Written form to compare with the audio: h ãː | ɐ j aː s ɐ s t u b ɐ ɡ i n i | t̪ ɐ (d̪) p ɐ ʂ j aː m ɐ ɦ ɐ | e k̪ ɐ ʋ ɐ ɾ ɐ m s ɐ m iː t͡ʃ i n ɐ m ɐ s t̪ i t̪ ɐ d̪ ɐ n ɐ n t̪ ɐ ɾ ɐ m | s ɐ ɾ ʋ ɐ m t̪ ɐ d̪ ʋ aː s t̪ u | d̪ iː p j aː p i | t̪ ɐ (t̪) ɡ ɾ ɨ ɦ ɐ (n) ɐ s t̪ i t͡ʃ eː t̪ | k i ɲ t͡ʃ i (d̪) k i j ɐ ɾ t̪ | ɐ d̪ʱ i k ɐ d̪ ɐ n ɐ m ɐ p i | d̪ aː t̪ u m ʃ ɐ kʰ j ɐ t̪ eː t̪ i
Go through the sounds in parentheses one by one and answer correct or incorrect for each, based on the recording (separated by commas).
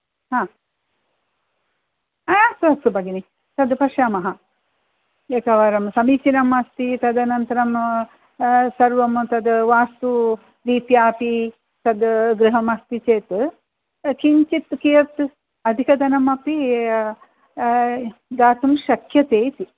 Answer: correct, incorrect, incorrect, incorrect